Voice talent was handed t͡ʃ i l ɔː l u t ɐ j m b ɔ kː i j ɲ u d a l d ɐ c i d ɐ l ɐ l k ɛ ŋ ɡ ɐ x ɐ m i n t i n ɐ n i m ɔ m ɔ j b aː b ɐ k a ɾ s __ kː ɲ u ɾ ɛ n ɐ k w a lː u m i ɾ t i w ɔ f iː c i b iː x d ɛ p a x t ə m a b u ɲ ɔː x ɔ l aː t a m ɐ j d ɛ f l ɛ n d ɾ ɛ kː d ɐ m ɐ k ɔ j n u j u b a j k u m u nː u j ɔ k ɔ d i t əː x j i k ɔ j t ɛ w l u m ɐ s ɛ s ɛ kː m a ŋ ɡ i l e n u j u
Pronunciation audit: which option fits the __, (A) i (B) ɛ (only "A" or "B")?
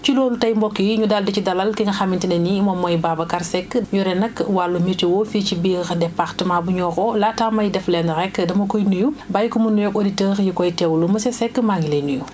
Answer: B